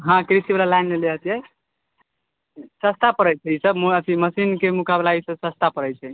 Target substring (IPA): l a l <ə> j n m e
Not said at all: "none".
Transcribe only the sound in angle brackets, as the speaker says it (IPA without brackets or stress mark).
a